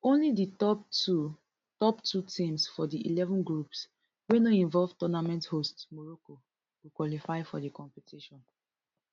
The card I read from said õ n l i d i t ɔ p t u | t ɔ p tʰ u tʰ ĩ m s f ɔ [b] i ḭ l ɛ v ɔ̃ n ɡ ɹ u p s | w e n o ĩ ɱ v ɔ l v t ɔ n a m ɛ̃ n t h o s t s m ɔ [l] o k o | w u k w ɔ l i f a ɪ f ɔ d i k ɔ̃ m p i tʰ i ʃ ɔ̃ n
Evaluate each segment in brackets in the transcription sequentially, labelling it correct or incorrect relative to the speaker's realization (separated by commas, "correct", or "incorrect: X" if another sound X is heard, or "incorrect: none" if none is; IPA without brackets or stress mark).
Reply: incorrect: d, incorrect: ɹ